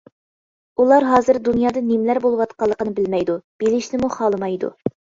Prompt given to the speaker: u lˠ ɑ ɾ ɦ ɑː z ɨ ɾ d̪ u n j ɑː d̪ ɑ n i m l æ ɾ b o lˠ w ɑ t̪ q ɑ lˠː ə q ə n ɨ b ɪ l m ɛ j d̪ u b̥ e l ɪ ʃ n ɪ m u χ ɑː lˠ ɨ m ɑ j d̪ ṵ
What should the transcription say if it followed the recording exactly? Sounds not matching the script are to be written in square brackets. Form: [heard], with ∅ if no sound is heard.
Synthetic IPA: u lˠ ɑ ɾ ɦ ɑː z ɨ ɾ d̪ u n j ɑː d̪ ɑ n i m l æ ɾ b o lˠ w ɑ t̪ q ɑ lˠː ə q ə n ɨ b ɪ l m ɛ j d̪ u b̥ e l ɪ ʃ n ɪ m u χ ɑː lˠ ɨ m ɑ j d̪ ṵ